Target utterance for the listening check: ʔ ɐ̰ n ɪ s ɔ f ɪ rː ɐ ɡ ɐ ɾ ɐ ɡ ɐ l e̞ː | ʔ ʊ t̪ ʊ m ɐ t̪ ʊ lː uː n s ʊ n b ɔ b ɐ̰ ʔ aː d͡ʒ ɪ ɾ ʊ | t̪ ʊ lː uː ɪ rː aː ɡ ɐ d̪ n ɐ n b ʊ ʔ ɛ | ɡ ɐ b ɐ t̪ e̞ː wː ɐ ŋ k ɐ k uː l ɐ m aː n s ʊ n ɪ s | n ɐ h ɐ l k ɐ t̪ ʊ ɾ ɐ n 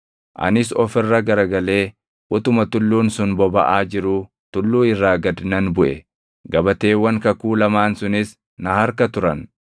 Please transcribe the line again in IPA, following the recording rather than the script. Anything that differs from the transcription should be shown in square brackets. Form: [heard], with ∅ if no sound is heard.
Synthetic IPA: ʔ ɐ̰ n ɪ s ɔ f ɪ rː ɐ ɡ ɐ ɾ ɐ ɡ ɐ l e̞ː | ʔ ʊ t̪ ʊ m ɐ t̪ ʊ lː uː n s ʊ n b ɔ b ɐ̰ ʔ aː d͡ʒ ɪ ɾ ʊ | t̪ ʊ lː uː ɪ rː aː ɡ ɐ d̪ n ɐ n b ʊ ʔ ɛ | ɡ ɐ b ɐ t̪ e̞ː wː ɐ ŋ k ɐ k uː l ɐ m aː n s ʊ n ɪ s | n ɐ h ɐ [ɾ] k ɐ t̪ ʊ ɾ ɐ n

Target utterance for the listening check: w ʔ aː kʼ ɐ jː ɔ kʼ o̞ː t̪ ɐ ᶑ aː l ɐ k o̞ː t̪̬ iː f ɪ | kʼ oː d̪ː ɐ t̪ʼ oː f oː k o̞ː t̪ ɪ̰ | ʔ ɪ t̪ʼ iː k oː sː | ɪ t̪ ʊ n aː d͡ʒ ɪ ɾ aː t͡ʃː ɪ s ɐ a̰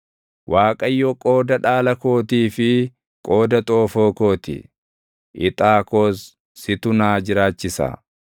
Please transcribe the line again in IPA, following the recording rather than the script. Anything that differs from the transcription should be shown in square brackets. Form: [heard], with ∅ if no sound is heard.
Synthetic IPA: w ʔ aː kʼ ɐ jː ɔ kʼ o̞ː [d̪] ɐ ᶑ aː l ɐ k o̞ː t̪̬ iː f ɪ | kʼ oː [d̪] ɐ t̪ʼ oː f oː k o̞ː t̪ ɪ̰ | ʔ ɪ t̪ʼ [aː] k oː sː | ɪ t̪ ʊ n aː d͡ʒ ɪ ɾ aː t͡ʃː ɪ s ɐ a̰

